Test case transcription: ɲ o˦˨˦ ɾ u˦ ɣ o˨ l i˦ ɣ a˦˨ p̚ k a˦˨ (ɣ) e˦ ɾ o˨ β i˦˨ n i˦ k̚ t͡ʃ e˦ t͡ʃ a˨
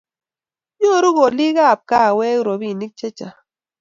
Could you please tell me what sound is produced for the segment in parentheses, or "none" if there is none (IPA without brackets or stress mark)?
w